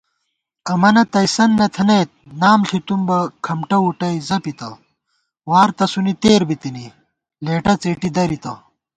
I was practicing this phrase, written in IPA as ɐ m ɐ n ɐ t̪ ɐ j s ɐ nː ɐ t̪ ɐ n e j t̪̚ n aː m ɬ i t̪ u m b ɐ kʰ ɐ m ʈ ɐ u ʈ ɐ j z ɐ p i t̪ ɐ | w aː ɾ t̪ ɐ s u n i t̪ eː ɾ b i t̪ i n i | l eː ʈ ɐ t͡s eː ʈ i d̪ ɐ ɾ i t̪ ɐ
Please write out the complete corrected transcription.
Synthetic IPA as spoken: ɐ m ɐ n ɐ t̪ ɐ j s ɐ nː ɐ t̪ʰ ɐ n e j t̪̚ n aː m ɬ i t̪ u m b ɐ kʰ ɐ m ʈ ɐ u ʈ ɐ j z ɐ p i t̪ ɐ | w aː ɾ t̪ ɐ s u n i t̪ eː ɾ b i t̪ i n i | l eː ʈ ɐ t͡s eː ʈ i d̪ ɐ ɾ i t̪ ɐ